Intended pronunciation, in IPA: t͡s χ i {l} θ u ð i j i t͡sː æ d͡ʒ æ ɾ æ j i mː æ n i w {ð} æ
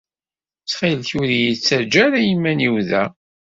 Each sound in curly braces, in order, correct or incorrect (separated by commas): correct, correct